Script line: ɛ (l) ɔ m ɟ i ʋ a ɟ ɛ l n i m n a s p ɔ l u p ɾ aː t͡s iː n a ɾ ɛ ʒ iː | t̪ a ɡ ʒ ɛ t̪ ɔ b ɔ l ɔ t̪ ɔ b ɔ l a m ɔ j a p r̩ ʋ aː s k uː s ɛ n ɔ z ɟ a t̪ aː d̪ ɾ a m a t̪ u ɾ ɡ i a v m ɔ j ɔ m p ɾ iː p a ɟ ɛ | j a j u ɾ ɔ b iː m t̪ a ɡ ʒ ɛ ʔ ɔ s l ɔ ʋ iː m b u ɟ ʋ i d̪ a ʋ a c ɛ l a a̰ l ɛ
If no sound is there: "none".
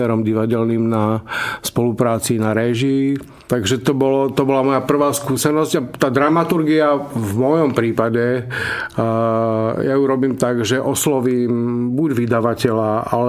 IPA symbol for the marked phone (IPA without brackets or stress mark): ɾ